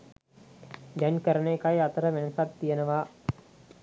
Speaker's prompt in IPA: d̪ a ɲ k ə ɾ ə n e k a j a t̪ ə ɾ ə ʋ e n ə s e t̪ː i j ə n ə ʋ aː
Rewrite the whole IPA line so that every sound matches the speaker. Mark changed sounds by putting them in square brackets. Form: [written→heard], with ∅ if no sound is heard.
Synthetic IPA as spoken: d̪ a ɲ k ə ɾ ə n e k a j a t̪ ə ɾ ə ʋ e n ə s [e→a] t̪ː i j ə n ə ʋ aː